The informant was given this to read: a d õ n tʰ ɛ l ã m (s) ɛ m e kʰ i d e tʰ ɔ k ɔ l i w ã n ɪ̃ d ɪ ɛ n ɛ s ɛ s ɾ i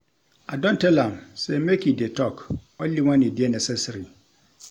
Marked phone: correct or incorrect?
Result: correct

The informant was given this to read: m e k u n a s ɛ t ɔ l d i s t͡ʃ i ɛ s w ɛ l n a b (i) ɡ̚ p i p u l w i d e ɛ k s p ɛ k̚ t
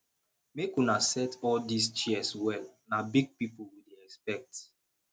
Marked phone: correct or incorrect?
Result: correct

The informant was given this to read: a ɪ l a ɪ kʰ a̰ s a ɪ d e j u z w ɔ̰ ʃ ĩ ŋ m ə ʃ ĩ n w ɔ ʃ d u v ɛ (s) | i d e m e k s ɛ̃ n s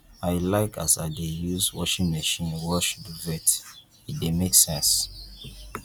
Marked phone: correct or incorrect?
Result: incorrect: t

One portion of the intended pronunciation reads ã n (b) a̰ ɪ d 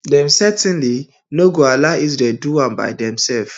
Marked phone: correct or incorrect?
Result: correct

